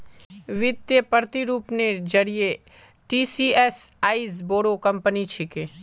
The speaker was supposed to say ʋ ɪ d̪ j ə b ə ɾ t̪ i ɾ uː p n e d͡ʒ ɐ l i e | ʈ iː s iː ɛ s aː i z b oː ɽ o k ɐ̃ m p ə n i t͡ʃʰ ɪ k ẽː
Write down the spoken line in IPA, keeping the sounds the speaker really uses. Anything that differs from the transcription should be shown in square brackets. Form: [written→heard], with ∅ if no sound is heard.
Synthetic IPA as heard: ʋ ɪ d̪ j ə [b→p] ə ɾ t̪ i ɾ uː p n e d͡ʒ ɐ [l→ɾ] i e | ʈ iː s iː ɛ s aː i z b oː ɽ o k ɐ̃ m p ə n i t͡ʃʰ ɪ k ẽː